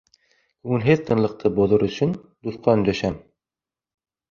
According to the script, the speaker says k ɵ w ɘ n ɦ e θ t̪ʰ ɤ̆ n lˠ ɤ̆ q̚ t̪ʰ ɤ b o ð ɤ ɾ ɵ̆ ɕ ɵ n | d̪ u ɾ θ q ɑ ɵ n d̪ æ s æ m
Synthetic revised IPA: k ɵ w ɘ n ɦ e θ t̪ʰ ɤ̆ n lˠ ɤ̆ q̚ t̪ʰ ɤ b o ð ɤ ɾ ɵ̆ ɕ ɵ n | d̪ u θ q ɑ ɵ n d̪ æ ʃ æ m